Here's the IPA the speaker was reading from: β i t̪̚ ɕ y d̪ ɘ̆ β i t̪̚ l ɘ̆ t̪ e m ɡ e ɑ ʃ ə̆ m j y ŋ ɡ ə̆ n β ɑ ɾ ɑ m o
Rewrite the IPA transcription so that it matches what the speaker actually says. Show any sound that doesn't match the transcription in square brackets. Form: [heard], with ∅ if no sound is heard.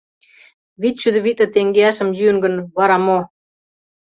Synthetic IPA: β i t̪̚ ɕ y d̪ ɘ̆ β i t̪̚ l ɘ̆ t̪ e [ŋ] ɡ e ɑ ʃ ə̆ m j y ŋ ɡ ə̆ n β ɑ ɾ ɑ m o